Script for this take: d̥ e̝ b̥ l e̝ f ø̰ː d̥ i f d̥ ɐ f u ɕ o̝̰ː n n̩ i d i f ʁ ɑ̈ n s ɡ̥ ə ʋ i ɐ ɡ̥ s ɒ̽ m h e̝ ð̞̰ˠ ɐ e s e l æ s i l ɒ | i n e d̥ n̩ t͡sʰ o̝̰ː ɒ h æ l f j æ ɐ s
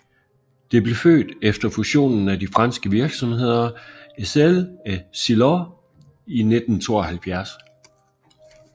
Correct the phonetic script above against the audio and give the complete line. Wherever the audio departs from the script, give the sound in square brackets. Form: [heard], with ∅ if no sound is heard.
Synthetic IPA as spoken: d̥ e̝ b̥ l e̝ f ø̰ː d̥ [e] f d̥ ɐ f u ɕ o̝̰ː n n̩ [æ] d i f ʁ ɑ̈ n s ɡ̥ ə ʋ i ɐ ɡ̥ s ɒ̽ m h e̝ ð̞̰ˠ ɐ e s e l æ s i l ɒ | i n e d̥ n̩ t͡sʰ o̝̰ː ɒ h æ l f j æ ɐ s